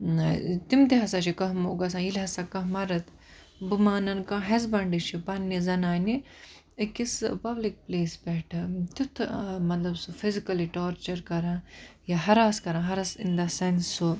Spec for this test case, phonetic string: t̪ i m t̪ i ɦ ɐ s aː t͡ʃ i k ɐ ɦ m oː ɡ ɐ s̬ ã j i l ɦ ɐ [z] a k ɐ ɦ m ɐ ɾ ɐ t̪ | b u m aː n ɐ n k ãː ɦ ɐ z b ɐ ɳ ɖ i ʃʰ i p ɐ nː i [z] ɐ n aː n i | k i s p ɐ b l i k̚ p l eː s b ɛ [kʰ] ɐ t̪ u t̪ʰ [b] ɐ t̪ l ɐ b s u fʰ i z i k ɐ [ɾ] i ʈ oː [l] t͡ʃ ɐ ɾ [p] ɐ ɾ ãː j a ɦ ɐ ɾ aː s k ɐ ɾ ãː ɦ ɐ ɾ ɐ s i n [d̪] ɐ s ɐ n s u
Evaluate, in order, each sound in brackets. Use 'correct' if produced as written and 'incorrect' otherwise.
incorrect: s, correct, incorrect: ʈʰ, incorrect: m, incorrect: l, incorrect: ɾ, incorrect: k, correct

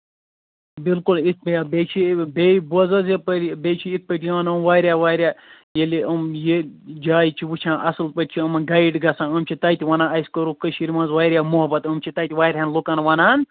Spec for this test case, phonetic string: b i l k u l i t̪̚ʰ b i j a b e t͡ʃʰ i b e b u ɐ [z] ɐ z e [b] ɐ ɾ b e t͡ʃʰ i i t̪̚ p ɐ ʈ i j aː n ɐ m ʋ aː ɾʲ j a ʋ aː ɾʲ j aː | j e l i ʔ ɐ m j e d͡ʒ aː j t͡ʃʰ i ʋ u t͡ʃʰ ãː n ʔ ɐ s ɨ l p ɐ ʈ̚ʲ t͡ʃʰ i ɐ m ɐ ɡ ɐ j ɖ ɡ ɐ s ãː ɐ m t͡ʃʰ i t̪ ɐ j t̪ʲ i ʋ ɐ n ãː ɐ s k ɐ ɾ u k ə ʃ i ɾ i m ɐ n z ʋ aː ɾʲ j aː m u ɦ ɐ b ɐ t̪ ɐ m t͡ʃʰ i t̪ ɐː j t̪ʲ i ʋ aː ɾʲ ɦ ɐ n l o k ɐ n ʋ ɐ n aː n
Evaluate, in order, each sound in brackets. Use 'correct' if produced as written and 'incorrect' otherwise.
correct, incorrect: p

